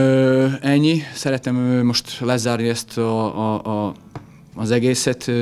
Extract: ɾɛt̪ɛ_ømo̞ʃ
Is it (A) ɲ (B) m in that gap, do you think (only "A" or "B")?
B